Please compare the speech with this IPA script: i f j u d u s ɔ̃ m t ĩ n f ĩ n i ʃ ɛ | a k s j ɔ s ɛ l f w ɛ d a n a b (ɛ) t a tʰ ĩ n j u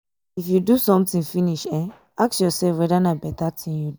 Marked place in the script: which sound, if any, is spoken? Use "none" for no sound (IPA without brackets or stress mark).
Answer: ɛ